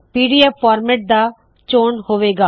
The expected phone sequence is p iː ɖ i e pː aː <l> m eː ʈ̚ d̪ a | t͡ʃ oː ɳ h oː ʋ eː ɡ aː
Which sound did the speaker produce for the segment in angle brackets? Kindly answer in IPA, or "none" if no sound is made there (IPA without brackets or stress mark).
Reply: ɾ